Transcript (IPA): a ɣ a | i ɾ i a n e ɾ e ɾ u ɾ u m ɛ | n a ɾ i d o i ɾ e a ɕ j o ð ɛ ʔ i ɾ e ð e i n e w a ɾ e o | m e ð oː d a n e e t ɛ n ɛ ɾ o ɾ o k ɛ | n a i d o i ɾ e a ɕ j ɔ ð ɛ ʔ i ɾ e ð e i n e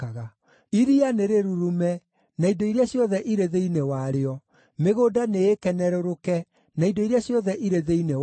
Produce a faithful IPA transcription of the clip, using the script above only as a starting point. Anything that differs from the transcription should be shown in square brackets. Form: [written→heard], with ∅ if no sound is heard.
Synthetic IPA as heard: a ɣ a | i ɾ i a n e ɾ e ɾ u ɾ u m ɛ | n a [ɾ→∅] i d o i ɾ e a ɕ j [o→ɔ] ð ɛ ʔ i ɾ e ð e i n e w a ɾ e [o→ɔ] | m e [ð→ɣ] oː d a n e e [t→k] ɛ n ɛ ɾ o ɾ o k ɛ | n a i d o i ɾ e a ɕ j ɔ ð ɛ ʔ i ɾ e ð e i n e